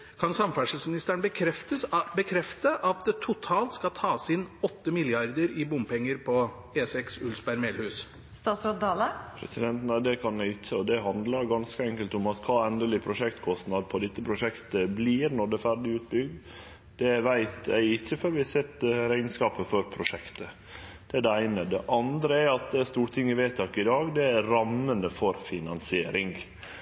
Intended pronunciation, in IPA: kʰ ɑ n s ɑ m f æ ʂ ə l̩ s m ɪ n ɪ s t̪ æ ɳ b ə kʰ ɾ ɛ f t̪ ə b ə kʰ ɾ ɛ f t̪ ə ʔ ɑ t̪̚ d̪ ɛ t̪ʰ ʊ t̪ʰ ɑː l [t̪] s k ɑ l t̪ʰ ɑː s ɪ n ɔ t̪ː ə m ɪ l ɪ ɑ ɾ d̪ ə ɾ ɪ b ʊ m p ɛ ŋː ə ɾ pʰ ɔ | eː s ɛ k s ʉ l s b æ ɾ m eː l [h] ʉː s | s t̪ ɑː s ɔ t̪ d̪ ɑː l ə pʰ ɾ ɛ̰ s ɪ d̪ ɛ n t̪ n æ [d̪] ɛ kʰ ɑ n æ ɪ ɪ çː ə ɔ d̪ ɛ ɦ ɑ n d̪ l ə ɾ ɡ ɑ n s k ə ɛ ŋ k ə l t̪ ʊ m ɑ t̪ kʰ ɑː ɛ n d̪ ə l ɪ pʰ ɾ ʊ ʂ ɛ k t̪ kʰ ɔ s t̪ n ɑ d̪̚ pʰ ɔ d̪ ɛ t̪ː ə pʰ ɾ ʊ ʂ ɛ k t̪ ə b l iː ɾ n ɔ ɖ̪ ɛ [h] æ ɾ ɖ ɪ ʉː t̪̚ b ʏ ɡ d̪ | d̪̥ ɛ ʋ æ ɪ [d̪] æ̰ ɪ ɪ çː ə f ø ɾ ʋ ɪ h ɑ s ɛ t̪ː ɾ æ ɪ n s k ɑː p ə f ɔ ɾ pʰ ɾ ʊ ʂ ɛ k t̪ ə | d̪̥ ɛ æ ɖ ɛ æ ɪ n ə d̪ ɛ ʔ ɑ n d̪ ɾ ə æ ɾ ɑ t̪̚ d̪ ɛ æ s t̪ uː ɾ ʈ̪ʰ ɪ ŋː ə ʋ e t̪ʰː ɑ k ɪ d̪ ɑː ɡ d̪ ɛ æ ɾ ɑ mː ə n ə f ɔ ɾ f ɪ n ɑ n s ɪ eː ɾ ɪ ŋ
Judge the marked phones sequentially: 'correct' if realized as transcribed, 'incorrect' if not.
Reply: correct, correct, correct, incorrect: f, incorrect: t̪

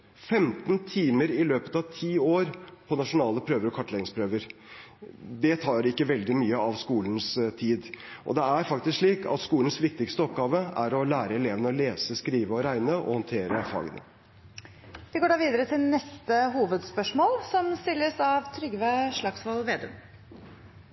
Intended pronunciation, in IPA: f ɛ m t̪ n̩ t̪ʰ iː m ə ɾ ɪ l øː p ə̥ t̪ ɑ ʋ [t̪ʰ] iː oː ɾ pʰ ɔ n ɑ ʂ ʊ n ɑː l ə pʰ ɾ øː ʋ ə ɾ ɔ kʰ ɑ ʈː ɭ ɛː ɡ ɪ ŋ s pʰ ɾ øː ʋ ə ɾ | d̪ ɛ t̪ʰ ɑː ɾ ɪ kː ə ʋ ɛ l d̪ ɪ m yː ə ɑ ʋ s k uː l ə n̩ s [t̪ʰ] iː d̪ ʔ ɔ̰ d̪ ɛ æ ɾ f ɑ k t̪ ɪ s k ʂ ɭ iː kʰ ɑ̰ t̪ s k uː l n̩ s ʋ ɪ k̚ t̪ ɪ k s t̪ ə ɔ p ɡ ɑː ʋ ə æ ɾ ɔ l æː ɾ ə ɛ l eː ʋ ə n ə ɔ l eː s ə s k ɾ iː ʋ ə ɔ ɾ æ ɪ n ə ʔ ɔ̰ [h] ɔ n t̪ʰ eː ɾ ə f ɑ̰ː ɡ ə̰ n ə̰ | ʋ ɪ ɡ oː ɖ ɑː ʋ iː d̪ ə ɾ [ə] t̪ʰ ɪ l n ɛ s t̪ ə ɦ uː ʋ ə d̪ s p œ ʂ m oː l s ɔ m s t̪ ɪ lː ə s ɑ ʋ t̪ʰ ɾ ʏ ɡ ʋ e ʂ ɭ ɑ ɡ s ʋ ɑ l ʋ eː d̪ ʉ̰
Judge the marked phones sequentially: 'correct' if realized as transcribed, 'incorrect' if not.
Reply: correct, correct, correct, correct

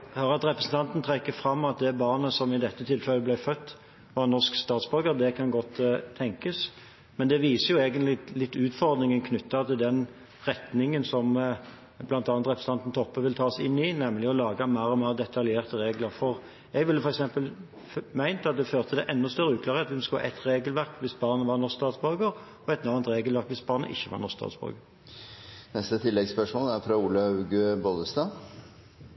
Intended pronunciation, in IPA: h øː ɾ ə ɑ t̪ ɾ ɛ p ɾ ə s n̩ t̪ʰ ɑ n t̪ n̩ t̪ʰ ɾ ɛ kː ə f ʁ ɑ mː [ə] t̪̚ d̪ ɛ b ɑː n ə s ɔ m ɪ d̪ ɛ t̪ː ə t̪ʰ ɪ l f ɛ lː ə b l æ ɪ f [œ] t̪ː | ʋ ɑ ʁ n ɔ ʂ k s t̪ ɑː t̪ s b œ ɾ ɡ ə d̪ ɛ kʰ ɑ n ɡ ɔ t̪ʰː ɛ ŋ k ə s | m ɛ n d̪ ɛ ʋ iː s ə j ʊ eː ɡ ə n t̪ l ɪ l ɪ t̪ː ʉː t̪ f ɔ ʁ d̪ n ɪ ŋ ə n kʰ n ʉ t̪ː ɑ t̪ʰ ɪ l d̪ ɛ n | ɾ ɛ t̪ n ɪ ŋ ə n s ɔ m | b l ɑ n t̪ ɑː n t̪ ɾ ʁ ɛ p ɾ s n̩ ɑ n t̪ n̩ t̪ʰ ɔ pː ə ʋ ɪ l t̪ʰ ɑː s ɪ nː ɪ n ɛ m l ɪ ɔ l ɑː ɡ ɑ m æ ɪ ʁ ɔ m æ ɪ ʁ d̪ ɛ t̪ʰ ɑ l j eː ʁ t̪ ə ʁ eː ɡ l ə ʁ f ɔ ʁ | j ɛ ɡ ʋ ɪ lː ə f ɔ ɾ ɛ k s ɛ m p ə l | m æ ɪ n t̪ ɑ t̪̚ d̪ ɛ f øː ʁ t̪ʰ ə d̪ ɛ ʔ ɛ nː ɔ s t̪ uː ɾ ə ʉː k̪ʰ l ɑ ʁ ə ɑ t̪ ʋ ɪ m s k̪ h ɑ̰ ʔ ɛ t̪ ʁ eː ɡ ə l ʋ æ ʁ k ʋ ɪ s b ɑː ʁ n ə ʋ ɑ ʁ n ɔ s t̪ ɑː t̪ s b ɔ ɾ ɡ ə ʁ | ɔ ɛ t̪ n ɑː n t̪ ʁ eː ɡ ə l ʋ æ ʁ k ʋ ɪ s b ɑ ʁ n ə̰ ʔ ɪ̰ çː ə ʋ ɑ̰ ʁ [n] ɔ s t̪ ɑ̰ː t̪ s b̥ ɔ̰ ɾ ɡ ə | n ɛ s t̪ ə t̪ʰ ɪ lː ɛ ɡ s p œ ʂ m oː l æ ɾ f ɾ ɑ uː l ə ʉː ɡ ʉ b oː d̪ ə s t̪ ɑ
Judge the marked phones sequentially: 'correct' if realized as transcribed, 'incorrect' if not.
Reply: incorrect: ɑ, correct, correct

